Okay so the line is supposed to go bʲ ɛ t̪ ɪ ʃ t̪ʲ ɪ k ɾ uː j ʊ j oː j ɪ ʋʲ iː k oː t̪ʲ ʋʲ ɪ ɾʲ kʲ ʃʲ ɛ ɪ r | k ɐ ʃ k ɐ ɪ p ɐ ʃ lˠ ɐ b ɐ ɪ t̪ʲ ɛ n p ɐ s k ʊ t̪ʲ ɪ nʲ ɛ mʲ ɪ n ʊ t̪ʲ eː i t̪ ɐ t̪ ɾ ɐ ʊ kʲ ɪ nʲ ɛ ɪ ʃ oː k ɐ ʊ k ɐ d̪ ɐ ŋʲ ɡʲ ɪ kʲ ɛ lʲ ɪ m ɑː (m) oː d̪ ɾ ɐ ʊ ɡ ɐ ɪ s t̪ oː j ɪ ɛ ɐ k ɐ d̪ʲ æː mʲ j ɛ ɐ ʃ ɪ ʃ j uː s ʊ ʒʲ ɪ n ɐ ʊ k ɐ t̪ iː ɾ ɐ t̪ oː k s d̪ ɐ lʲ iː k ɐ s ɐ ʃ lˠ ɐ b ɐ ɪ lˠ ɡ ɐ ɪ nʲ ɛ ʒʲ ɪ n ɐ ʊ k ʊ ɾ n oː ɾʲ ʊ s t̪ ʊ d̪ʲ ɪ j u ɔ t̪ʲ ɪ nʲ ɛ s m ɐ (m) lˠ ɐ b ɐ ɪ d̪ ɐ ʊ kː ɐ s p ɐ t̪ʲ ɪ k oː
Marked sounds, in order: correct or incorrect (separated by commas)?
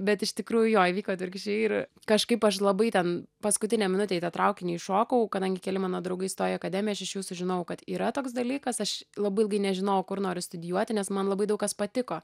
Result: incorrect, incorrect